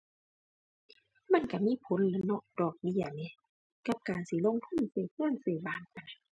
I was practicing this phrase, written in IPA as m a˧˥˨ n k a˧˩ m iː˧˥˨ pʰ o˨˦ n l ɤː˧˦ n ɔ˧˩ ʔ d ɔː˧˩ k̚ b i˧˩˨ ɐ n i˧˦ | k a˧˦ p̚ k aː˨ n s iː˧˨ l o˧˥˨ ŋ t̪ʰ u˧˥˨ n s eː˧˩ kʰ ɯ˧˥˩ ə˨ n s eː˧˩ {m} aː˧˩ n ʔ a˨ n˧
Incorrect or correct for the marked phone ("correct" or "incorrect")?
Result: incorrect